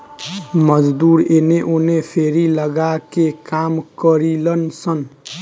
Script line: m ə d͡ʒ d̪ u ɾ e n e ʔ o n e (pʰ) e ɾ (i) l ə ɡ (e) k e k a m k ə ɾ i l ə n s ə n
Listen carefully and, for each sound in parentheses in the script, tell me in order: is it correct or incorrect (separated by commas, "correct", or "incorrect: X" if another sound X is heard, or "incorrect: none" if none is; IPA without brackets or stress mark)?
correct, correct, incorrect: a